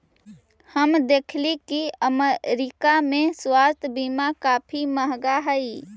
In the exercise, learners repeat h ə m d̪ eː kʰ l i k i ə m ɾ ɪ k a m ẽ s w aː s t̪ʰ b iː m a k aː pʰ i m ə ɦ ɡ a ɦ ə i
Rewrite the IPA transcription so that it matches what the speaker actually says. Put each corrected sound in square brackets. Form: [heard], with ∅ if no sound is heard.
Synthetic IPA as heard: h ə m d̪ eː kʰ l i k i ə m ɾ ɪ k a m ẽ s w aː s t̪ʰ b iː m a k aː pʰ i m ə ɦ ɡ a ɦ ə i